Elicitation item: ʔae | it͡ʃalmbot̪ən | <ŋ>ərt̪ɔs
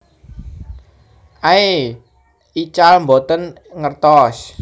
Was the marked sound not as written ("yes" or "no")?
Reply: no